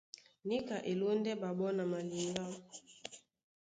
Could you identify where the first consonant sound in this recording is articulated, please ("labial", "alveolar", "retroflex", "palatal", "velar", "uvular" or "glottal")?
alveolar